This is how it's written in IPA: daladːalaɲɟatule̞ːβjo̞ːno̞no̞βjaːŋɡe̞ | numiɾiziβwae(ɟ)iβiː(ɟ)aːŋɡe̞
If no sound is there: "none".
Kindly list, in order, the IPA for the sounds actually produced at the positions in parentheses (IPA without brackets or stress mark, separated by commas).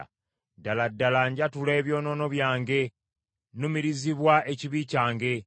c, c